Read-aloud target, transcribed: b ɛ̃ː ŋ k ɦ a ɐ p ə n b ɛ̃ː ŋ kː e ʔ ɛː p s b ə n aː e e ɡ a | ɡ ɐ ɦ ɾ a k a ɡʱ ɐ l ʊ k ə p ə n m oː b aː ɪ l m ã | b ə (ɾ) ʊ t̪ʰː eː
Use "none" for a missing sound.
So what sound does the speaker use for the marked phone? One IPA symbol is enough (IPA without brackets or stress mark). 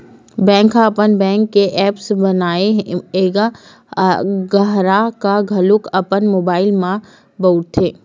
none